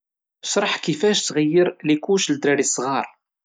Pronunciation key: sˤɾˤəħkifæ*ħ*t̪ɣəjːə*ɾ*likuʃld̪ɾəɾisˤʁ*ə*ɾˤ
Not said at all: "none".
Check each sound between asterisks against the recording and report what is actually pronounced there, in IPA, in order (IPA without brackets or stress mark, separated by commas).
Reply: ʃ, ɾ, ɑ